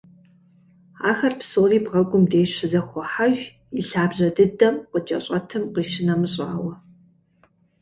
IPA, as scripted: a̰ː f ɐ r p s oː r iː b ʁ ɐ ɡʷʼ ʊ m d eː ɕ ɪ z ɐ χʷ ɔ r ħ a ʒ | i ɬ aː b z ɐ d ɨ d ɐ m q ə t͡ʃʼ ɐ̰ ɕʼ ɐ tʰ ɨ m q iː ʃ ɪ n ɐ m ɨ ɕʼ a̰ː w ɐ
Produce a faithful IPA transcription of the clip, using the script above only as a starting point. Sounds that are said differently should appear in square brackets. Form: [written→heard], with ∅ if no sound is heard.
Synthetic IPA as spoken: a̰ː [f→x] ɐ r p s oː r iː b ʁ ɐ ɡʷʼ ʊ m d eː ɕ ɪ z ɐ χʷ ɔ [r→∅] ħ a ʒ | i ɬ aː b [z→ʑ] ɐ d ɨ d ɐ m q ə t͡ʃʼ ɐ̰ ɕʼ ɐ tʰ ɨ m q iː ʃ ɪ n ɐ m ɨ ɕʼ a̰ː w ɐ